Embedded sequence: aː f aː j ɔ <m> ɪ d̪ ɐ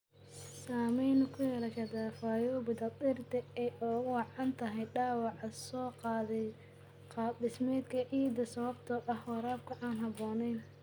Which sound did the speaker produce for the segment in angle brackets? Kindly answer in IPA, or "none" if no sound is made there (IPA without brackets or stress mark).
b